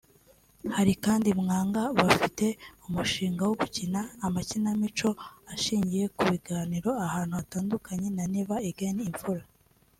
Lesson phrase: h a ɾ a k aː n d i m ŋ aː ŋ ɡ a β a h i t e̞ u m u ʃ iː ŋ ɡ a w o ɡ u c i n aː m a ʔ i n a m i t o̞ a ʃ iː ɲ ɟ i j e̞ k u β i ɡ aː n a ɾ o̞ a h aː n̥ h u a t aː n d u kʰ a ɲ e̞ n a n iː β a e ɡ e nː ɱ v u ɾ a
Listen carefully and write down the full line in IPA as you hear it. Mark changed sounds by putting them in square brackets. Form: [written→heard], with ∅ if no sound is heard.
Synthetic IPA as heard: h a ɾ [a→i] k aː n d i m ŋ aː ŋ ɡ a β a [h→f] i t e̞ u m u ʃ iː ŋ ɡ a w o ɡ u c i n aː m a [ʔ→c] i n a m i [t→t͡ʃ] o̞ a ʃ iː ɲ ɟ i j e̞ k u β i ɡ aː n [a→i] ɾ o̞ a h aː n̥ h u a t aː n d u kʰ a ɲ e̞ n a n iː β a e ɡ e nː ɱ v u ɾ a